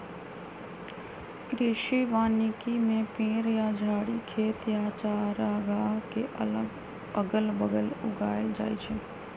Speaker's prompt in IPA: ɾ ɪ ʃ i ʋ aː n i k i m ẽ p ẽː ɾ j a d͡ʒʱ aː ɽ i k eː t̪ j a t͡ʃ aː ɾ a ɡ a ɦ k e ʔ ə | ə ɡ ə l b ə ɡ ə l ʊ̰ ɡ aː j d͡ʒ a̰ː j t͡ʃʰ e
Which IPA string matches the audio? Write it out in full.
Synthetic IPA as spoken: ɾ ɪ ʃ i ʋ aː n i k i m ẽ p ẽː ɾ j a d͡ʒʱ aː ɽ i kʰ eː t̪ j a t͡ʃ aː ɾ a ɡ a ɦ k e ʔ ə | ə ɡ ə l b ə ɡ ə l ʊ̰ ɡ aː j d͡ʒ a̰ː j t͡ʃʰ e